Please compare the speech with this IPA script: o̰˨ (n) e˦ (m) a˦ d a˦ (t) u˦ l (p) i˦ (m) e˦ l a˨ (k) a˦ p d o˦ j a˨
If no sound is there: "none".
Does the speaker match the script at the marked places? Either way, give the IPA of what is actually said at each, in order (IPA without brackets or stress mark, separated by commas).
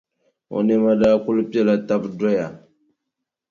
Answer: n, m, k, p, none, t